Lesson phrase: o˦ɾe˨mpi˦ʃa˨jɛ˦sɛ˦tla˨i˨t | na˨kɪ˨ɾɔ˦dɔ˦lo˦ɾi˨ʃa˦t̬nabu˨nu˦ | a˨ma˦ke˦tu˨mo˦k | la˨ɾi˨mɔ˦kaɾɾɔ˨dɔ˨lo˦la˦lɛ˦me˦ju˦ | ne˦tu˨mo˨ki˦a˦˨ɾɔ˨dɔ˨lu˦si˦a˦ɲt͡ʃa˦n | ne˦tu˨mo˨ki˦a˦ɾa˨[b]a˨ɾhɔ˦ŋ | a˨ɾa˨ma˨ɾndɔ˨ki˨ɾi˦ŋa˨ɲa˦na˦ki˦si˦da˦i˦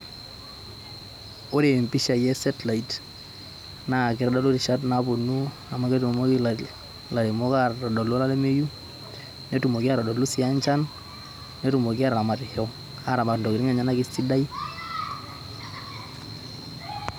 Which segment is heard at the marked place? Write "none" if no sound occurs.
m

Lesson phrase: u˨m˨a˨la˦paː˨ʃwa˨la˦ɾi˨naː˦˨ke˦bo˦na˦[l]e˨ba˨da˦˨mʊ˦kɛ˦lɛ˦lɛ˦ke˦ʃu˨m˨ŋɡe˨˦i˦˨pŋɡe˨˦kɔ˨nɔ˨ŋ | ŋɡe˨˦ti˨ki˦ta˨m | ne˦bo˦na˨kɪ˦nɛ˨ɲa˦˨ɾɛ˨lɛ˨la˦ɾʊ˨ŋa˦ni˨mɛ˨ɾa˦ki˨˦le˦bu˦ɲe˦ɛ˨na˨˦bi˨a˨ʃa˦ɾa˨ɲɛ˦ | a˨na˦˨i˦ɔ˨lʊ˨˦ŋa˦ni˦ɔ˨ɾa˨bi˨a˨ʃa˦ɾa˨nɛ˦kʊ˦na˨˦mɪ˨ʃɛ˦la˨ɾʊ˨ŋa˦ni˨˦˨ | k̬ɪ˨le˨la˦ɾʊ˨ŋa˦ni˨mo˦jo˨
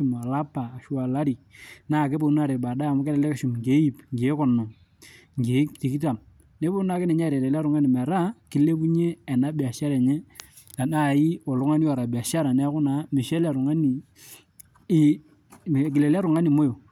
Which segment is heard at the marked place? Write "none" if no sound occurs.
ɾ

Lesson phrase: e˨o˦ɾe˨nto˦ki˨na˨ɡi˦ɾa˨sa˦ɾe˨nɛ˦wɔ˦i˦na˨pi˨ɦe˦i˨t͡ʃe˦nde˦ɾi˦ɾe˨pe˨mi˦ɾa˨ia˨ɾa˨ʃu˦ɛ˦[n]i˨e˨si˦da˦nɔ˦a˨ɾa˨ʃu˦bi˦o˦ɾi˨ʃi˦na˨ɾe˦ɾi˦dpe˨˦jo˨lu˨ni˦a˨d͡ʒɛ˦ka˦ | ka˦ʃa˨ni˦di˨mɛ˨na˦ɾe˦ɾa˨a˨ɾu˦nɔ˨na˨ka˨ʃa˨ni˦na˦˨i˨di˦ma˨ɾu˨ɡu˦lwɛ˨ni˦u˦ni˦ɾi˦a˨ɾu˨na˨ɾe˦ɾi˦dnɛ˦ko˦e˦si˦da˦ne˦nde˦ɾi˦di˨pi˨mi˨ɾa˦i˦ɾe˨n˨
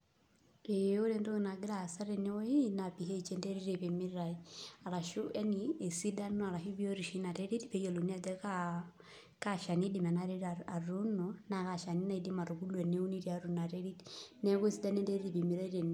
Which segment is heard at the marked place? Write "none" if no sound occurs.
n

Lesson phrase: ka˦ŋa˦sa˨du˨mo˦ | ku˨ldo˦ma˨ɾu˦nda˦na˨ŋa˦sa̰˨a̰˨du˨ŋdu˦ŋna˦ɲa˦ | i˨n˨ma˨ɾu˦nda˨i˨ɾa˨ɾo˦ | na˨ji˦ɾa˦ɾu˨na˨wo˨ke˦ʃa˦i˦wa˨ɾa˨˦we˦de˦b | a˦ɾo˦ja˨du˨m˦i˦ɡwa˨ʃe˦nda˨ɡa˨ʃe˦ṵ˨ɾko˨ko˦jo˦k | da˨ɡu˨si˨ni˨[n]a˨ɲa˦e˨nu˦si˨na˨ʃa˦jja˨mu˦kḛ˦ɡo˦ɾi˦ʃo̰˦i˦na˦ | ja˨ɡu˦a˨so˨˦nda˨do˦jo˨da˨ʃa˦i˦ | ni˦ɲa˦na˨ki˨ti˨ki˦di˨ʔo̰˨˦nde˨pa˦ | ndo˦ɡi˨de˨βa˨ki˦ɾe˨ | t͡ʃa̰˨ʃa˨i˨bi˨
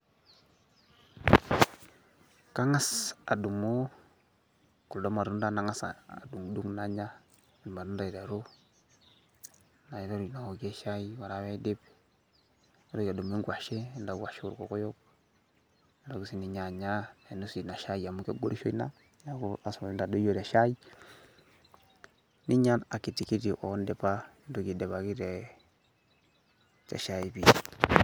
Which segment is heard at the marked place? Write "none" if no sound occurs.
ɲ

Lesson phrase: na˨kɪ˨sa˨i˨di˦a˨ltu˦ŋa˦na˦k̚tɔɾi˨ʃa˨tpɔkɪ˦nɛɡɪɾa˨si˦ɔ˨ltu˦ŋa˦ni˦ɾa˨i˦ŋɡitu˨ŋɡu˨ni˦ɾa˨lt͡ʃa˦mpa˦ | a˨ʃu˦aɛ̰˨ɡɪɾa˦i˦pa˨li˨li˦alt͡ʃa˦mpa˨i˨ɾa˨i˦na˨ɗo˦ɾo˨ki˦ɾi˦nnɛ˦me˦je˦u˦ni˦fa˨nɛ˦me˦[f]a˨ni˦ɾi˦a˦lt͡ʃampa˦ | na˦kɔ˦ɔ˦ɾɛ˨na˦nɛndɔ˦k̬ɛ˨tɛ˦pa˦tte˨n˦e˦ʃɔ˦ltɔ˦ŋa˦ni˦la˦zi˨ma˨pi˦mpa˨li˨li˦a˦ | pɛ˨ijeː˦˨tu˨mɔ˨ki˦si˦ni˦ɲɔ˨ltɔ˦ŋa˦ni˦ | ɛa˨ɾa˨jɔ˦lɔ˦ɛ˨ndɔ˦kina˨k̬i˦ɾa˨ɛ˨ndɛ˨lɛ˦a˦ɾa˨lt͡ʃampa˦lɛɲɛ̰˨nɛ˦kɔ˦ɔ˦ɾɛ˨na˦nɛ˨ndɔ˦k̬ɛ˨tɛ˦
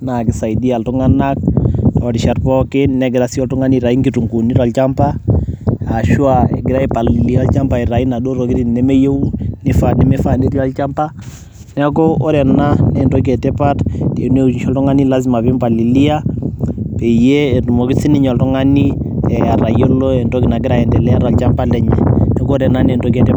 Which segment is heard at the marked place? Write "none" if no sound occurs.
f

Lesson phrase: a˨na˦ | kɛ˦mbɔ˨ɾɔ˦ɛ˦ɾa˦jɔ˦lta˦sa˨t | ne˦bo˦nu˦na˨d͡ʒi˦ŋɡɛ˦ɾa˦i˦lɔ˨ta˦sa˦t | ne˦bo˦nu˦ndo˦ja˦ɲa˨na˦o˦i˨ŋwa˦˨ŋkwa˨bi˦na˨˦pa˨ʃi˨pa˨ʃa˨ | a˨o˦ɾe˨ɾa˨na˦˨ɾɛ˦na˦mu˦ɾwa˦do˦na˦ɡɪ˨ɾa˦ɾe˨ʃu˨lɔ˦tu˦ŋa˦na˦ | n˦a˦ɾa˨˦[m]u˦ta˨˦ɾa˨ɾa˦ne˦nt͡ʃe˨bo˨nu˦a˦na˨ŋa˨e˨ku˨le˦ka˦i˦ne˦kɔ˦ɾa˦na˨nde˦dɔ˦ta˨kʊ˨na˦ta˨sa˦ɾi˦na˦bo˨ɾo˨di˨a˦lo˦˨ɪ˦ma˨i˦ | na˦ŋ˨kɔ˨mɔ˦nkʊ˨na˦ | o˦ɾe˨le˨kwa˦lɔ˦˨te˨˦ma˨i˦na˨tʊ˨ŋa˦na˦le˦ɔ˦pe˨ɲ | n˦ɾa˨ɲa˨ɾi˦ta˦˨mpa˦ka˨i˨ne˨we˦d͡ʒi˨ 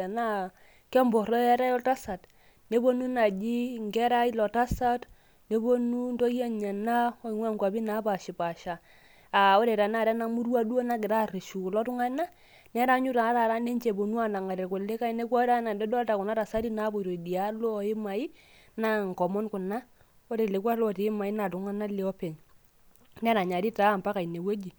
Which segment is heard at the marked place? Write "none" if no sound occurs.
ɲ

